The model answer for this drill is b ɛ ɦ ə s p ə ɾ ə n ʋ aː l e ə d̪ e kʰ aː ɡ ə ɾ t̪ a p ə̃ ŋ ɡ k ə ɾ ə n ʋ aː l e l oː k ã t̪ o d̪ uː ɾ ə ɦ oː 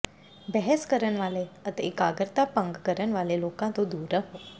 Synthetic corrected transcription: b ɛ ɦ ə s k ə ɾ ə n ʋ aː l e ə t̪ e k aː ɡ ə ɾ t̪ a p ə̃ ŋ ɡ k ə ɾ ə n ʋ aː l e l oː k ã t̪ o d̪ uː ɾ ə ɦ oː